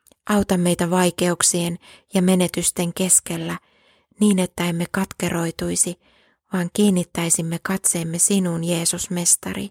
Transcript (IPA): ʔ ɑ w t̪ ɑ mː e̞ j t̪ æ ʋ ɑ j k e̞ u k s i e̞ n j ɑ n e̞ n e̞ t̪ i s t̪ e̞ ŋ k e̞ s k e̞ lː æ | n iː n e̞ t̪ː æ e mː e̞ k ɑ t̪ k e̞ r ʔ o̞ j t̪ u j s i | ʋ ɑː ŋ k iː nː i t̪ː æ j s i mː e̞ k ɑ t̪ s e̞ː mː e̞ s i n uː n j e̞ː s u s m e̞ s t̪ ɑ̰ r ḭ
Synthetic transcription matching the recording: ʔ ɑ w t̪ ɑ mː e̞ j t̪ æ ʋ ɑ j k e̞ u k s i e̞ n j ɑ m e̞ n e̞ t̪ y s t̪ e̞ ŋ k e̞ s k e̞ lː æ | n iː n e̞ t̪ː æ e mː e̞ k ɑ t̪ k e̞ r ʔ o̞ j t̪ u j s i | ʋ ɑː ŋ k iː nː i t̪ː æ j s i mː e̞ k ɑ t̪ s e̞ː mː e̞ s i n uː n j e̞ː s u s m e̞ s t̪ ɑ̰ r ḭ